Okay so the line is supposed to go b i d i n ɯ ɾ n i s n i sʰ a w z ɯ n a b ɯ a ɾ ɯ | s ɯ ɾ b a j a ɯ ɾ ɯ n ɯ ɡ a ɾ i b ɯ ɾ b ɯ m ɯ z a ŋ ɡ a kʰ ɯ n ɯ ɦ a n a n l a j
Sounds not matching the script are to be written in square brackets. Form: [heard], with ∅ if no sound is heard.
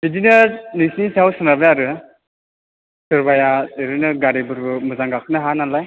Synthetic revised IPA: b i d i n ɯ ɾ n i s n i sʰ a w [s] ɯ n a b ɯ a ɾ ɯ | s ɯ ɾ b a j a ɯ ɾ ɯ n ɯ ɡ a ɾ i b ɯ ɾ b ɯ m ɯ z a ŋ ɡ a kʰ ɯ n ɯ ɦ a n a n l a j

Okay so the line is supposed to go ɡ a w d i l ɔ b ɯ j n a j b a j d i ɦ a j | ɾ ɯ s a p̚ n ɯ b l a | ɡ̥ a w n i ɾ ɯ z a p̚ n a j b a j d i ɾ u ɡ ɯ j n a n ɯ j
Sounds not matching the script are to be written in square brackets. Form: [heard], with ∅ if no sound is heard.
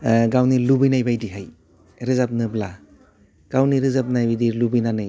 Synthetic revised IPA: ɡ a w [n] i l [u] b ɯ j n a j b a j d i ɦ a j | ɾ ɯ [z] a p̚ n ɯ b l a | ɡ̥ a w n i ɾ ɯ z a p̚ n a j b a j d i [l] u [b] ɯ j n a n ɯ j

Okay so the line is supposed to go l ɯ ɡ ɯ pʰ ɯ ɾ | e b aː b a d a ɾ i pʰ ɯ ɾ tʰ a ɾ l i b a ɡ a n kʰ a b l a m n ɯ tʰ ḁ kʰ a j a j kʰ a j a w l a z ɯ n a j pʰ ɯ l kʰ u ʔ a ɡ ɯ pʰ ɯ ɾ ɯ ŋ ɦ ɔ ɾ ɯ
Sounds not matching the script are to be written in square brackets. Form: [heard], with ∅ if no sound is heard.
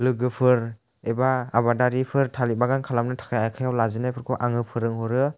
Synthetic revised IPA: l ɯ ɡ ɯ pʰ ɯ ɾ | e b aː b a d a ɾ i pʰ ɯ ɾ tʰ a [∅] l i b a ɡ a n kʰ a [∅] l a m n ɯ tʰ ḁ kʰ a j a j kʰ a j a w l a z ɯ n a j pʰ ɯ [ɾ] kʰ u ʔ a [ŋ] ɯ pʰ ɯ ɾ ɯ ŋ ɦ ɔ ɾ ɯ

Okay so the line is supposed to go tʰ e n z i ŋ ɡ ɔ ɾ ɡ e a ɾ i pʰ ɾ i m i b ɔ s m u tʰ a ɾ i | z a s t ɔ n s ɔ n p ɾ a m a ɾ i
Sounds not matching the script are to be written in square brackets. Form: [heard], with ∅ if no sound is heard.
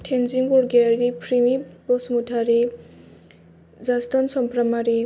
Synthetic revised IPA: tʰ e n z i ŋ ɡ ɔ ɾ ɡ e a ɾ i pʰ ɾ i m i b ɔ s m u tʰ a ɾ i | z a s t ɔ n s ɔ [m] p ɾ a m a ɾ i

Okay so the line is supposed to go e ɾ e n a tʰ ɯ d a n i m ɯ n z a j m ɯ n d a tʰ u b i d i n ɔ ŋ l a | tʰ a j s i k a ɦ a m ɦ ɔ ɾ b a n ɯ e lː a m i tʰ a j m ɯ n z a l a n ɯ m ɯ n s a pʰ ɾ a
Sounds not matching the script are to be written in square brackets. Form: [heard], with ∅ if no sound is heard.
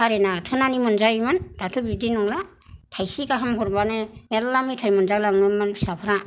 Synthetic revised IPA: [a] ɾ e n a tʰ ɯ [n] a n i m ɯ n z a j m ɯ n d a tʰ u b i d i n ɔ ŋ l a | tʰ a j s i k a ɦ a m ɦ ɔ ɾ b a n ɯ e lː a m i tʰ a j m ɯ n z a l a [ŋ] ɯ m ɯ n s a pʰ ɾ a

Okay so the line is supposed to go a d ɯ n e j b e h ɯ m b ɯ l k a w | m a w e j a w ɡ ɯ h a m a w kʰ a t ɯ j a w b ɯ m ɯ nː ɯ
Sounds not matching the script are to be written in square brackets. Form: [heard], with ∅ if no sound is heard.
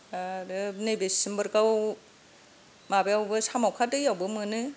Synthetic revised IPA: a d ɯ n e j b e [s] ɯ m b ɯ [ɾ] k a w | m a [b] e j a w [b] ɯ [s] a m a w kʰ a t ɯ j a w b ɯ m ɯ [n] ɯ

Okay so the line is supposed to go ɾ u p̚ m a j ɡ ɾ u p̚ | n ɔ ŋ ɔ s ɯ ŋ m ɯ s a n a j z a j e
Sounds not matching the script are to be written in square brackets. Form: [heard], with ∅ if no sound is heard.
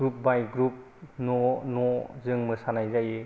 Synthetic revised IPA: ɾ u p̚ [b] a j ɡ ɾ u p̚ | n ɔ [n] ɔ [z] ɯ ŋ m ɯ s a n a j z a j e

